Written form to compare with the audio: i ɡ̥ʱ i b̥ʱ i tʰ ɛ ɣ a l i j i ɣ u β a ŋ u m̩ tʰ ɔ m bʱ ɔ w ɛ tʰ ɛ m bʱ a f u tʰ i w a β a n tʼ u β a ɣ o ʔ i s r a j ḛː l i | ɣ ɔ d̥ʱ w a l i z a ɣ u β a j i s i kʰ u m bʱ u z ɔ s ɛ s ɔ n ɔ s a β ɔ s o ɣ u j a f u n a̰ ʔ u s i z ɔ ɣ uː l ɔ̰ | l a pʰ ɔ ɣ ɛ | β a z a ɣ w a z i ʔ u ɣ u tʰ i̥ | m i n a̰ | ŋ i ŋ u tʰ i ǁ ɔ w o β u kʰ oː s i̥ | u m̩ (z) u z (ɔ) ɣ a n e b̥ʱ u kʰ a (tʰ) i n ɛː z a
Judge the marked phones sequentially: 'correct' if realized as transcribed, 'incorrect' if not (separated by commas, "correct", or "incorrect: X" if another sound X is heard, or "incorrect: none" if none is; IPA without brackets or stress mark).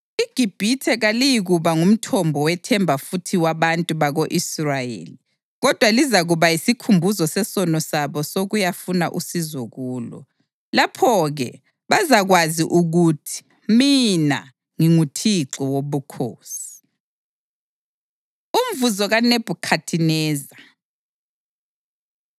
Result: incorrect: v, correct, correct